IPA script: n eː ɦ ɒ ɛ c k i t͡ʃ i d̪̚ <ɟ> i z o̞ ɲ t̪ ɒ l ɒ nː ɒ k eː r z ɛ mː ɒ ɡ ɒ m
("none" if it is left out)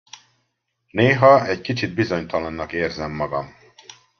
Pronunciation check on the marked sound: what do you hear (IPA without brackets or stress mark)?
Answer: b